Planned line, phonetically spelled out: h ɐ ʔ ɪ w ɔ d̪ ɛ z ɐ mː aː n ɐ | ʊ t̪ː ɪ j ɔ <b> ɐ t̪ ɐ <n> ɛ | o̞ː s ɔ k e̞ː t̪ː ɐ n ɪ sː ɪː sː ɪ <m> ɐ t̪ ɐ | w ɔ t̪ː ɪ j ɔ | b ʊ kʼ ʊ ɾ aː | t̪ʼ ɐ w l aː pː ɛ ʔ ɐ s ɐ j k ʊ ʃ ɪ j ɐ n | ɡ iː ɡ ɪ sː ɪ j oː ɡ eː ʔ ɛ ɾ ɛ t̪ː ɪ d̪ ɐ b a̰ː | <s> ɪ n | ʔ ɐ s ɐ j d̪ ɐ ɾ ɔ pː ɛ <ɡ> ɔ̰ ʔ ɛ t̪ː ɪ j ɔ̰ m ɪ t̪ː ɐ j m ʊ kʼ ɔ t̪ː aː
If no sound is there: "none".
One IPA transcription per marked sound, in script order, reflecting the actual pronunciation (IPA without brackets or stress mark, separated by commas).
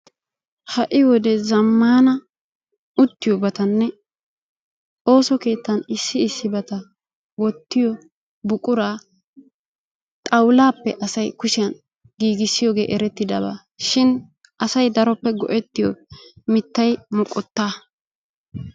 b, nː, b, ʃ, ɡ